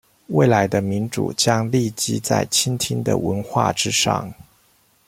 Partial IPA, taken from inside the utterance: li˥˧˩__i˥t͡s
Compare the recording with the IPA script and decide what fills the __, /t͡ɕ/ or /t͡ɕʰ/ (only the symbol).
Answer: t͡ɕ